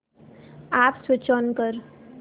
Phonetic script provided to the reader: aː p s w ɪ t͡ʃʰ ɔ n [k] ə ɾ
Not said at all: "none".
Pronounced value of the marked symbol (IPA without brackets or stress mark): k